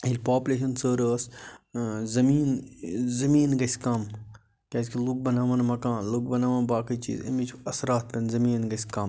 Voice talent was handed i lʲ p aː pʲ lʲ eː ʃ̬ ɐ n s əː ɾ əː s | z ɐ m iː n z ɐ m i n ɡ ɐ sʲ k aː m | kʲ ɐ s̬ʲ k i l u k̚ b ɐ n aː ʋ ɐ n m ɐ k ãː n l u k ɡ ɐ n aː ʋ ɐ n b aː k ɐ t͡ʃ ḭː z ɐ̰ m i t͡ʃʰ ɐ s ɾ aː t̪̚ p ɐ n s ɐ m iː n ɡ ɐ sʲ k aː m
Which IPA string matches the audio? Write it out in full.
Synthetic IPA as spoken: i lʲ p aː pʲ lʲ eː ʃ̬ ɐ n s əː ɾ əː s | z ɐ m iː n z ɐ m iː n ɡ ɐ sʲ k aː m | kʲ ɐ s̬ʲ k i l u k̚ b ɐ n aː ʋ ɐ n m ɐ k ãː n l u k b ɐ n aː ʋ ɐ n b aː k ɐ t͡ʃ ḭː z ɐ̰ m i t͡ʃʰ ɐ s ɾ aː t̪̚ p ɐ n z ɐ m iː n ɡ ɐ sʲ k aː m